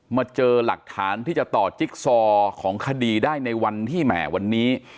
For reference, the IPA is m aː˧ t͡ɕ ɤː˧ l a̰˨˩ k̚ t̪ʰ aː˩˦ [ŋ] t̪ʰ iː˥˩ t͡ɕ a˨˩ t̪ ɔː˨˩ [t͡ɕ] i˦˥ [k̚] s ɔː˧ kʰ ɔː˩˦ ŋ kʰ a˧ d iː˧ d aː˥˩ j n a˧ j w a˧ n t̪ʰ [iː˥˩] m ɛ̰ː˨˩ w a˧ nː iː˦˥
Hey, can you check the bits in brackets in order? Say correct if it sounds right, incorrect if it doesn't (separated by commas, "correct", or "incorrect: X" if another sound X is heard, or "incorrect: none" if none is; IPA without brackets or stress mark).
incorrect: n, correct, correct, correct